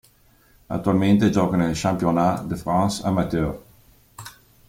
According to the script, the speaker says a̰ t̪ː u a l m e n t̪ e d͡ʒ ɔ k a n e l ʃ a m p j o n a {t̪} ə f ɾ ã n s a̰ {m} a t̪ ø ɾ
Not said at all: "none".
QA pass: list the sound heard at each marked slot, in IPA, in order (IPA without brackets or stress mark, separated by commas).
d̪, m